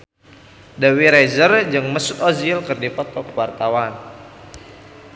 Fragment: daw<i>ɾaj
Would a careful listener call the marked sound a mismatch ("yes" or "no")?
no